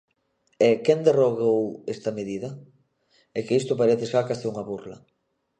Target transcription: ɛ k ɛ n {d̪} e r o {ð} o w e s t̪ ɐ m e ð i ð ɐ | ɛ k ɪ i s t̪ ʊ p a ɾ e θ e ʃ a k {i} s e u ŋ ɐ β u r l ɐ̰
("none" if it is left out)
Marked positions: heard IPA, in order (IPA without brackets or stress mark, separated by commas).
d̪, ɣ, a